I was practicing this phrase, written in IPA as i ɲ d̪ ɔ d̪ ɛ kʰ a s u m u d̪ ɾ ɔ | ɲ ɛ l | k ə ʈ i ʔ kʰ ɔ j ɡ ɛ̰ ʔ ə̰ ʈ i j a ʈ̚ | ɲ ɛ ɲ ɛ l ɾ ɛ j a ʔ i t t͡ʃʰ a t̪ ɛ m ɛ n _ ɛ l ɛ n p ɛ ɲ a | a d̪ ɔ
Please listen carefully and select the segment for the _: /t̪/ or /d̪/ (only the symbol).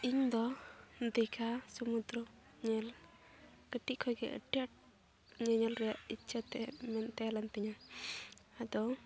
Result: t̪